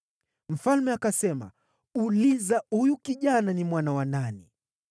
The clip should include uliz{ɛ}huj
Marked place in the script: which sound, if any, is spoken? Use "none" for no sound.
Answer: a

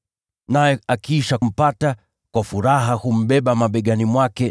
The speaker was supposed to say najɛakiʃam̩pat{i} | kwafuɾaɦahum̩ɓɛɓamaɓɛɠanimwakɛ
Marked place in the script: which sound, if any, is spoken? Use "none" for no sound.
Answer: a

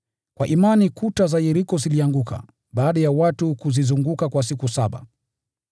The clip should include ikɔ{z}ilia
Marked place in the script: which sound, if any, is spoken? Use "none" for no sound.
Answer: z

